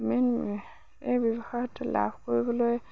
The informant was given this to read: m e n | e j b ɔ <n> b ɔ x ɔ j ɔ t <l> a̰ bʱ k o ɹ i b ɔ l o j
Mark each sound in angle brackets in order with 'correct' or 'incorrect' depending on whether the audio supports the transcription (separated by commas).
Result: incorrect, correct